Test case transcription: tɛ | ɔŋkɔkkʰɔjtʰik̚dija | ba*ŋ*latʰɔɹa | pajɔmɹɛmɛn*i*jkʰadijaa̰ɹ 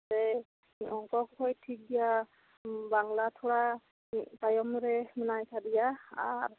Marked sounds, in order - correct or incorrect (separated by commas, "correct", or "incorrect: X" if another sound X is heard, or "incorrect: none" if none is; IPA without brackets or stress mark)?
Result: correct, incorrect: a